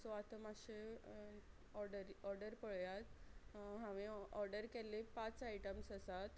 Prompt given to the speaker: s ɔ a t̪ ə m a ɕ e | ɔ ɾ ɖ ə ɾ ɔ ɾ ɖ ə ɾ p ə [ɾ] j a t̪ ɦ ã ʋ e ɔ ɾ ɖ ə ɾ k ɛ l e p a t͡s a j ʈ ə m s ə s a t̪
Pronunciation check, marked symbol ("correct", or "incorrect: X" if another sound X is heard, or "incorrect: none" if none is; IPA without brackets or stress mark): incorrect: ɭ